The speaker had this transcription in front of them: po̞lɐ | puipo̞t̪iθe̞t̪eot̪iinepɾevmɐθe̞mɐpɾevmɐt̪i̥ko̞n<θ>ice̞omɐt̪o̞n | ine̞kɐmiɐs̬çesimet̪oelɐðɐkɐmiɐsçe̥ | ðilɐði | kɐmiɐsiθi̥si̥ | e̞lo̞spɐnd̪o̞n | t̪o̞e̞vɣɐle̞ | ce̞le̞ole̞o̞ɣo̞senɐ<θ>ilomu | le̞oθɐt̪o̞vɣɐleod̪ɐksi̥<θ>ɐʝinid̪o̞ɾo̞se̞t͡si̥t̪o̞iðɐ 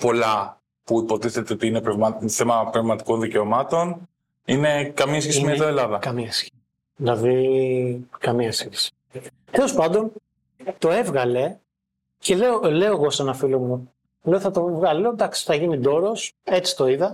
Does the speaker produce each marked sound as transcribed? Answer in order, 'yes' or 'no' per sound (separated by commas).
no, no, yes